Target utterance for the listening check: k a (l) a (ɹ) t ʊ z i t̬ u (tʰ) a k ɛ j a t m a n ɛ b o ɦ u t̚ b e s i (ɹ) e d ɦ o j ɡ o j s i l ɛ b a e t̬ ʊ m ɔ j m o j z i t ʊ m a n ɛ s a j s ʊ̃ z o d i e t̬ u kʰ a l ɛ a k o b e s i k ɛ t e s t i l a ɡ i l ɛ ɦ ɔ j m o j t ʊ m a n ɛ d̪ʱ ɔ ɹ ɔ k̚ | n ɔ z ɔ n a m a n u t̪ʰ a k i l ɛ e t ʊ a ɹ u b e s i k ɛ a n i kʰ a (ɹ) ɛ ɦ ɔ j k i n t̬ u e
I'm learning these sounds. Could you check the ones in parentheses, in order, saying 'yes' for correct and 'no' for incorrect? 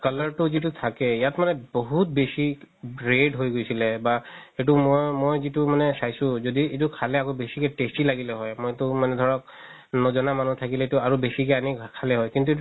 yes, yes, yes, yes, no

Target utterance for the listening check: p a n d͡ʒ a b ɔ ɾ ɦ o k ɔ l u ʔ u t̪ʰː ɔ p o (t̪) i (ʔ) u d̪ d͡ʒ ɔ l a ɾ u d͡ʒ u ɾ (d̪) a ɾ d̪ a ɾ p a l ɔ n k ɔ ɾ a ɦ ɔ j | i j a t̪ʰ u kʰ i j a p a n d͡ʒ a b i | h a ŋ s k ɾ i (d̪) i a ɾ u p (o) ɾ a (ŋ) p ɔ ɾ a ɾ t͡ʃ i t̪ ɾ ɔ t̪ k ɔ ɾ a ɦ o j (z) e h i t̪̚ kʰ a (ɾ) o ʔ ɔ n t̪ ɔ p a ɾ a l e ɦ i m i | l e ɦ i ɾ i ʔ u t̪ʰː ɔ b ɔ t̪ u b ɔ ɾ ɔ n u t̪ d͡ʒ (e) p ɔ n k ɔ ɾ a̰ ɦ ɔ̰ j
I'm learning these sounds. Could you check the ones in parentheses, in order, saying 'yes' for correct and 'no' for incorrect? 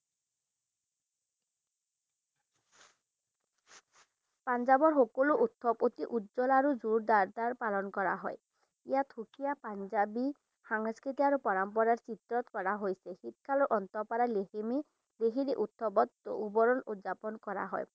yes, yes, yes, no, no, no, no, no, no

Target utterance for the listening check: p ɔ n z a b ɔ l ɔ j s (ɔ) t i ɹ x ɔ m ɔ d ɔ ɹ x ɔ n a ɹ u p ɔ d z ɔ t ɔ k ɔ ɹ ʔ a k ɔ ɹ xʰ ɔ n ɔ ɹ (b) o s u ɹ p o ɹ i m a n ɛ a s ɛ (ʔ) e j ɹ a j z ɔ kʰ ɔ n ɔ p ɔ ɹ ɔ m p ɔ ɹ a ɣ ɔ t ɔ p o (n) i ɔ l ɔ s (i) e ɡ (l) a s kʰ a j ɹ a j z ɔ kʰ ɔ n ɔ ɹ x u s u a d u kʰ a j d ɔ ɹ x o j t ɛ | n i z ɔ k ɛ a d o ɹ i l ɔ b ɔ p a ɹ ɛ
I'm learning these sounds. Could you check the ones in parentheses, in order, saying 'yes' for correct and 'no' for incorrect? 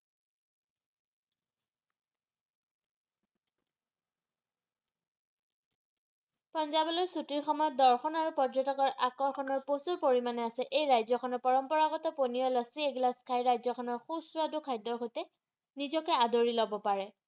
no, no, yes, yes, yes, yes

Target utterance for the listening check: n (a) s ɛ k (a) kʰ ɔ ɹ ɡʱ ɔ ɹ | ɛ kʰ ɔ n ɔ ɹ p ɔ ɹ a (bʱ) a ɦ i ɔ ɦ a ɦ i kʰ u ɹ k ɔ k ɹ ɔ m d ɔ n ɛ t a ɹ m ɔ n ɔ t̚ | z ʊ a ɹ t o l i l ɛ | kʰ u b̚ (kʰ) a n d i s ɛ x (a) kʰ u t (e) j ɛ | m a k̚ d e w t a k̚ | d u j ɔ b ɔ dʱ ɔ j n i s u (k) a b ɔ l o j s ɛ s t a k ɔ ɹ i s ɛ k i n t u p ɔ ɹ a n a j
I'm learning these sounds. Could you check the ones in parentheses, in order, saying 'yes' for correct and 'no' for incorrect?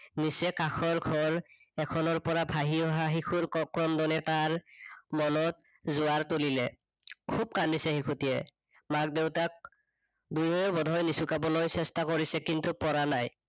no, yes, yes, no, no, no, yes

